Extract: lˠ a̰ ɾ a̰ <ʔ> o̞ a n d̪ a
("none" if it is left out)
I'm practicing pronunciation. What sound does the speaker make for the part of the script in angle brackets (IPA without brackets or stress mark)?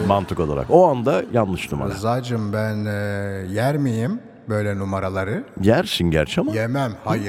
k